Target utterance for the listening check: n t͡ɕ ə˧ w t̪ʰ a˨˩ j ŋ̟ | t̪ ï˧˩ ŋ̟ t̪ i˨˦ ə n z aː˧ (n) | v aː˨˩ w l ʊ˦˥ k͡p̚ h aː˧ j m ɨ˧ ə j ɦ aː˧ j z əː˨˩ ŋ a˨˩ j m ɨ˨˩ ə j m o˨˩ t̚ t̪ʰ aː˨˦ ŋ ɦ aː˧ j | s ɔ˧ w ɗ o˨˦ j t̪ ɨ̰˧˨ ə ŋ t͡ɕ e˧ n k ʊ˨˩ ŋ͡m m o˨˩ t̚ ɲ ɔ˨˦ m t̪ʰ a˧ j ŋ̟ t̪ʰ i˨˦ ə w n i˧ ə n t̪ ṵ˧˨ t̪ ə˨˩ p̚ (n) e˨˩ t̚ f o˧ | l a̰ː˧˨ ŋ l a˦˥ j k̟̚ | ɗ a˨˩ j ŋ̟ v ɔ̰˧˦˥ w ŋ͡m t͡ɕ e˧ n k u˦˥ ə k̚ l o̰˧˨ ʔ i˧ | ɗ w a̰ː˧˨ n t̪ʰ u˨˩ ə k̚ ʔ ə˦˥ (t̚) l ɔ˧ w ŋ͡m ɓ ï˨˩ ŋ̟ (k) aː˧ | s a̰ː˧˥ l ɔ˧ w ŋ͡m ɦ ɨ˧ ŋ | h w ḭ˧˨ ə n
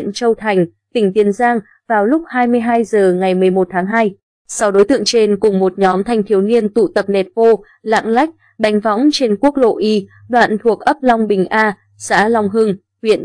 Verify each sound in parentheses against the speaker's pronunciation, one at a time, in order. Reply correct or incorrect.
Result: incorrect: ŋ, correct, incorrect: p̚, incorrect: ʔ

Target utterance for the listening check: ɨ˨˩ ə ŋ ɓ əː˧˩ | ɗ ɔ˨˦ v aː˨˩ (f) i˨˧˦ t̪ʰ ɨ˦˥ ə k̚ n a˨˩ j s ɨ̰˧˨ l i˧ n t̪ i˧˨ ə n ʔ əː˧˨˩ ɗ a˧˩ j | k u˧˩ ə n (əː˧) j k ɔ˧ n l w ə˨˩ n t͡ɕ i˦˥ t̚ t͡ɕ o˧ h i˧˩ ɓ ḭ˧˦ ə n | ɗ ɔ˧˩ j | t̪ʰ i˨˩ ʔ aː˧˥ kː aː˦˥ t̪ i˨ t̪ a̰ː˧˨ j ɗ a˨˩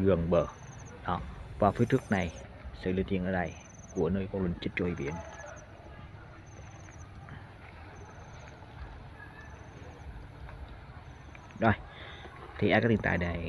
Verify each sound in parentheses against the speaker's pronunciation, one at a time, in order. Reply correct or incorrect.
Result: correct, correct

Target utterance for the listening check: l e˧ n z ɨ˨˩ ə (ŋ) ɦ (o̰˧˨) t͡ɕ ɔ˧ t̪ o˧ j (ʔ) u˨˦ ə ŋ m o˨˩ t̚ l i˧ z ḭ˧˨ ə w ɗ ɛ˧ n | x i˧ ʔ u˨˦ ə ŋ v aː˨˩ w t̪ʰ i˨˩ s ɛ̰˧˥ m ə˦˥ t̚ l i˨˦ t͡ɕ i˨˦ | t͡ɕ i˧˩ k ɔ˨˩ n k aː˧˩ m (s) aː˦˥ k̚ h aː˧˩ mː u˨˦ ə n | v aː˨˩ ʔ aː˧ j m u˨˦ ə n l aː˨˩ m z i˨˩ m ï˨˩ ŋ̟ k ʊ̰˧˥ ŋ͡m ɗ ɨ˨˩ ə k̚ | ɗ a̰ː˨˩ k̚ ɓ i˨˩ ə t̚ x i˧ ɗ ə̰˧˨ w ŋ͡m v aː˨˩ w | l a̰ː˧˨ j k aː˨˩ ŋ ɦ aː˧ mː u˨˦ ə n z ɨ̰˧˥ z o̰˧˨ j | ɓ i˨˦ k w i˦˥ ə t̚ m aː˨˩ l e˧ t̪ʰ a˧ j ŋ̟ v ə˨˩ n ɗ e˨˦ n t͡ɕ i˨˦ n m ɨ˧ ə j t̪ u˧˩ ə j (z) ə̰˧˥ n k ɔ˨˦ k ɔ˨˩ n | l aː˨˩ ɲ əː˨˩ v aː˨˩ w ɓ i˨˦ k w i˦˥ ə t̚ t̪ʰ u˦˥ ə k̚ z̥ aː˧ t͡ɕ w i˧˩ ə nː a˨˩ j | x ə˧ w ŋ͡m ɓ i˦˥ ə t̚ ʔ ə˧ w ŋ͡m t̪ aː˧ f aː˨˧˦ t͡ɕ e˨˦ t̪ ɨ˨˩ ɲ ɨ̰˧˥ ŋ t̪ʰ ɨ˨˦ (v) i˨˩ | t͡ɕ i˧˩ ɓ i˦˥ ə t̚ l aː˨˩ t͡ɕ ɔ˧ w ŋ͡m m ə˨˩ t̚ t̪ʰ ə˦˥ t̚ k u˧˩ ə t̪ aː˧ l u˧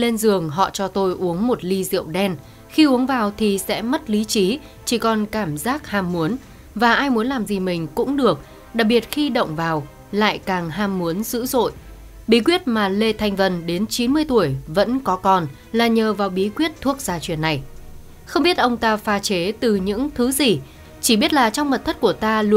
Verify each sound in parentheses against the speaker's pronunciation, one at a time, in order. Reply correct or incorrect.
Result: correct, incorrect: ɔ̰˧˨, correct, incorrect: z, incorrect: v, incorrect: z

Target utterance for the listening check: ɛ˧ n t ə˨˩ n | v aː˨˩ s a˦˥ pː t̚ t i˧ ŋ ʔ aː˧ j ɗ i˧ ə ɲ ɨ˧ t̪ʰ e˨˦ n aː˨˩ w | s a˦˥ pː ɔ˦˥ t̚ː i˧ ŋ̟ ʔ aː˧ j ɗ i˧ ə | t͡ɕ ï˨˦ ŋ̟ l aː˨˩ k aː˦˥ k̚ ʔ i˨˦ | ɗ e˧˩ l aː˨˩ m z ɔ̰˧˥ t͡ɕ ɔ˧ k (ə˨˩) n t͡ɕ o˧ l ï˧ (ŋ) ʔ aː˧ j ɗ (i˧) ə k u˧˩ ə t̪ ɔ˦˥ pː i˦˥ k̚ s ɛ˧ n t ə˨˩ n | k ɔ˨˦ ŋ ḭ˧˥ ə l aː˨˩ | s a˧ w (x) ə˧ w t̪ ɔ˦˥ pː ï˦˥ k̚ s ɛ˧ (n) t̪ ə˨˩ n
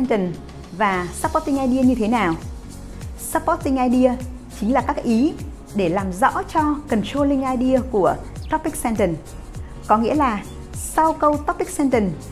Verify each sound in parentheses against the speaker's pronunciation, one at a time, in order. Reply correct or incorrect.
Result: correct, correct, correct, incorrect: k, correct

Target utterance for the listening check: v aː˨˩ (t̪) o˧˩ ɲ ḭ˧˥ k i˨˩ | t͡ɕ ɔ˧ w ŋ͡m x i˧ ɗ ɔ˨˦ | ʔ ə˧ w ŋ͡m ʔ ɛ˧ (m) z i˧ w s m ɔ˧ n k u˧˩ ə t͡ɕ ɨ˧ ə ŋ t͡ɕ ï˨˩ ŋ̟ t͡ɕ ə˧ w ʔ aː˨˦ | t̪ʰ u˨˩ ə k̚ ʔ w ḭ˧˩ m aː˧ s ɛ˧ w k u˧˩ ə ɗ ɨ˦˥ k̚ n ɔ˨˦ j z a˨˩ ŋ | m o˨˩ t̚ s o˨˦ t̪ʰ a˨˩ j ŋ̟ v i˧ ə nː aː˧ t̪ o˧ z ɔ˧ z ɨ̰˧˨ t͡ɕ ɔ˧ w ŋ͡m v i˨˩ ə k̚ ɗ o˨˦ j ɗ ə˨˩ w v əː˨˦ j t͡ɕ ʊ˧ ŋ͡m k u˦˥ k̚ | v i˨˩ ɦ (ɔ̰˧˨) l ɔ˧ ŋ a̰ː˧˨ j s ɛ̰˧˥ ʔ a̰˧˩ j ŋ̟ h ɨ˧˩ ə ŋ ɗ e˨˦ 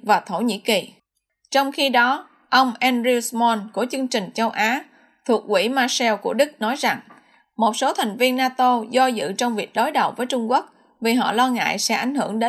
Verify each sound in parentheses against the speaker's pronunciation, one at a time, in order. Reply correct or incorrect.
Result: incorrect: t̪ʰ, incorrect: n, correct

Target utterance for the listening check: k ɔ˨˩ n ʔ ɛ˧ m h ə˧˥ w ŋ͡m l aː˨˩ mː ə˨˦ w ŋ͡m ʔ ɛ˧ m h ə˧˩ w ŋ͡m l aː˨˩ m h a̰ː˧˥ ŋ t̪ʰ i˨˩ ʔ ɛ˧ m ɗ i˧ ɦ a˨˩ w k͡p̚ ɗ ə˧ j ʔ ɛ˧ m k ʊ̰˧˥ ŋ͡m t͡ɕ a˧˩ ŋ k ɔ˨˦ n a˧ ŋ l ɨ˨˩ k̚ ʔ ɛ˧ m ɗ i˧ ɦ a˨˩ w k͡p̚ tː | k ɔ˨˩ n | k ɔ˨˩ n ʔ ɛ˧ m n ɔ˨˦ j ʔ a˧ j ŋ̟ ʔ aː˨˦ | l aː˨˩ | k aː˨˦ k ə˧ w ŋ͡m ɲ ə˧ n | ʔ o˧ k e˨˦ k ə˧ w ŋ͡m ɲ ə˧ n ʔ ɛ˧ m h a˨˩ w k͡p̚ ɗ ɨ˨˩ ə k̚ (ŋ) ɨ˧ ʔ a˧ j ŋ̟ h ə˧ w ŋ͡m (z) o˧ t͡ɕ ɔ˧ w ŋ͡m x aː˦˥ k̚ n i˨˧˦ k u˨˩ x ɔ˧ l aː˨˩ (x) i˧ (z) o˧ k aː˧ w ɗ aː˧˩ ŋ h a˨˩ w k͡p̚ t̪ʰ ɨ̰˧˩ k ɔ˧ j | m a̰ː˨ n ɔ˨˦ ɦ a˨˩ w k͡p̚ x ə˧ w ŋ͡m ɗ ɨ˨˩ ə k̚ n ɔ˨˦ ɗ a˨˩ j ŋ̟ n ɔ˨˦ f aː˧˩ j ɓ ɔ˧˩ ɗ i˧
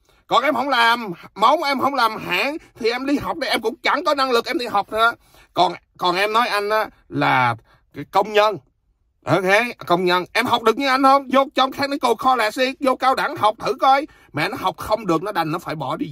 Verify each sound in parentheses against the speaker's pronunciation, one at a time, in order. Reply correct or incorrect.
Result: incorrect: ɲ, correct, incorrect: s, correct

